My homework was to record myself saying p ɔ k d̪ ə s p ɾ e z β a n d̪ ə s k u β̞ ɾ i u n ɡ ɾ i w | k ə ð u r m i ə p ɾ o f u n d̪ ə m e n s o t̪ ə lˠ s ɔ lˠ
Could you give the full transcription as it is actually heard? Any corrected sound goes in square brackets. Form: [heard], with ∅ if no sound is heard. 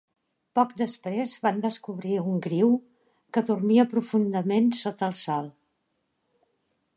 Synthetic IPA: p ɔ k d̪ ə s p ɾ e z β a n d̪ ə s k u β̞ ɾ i u [ŋ] ɡ ɾ i w | k ə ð u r m i ə p ɾ [u] f u n d̪ ə m e n s o t̪ ə lˠ s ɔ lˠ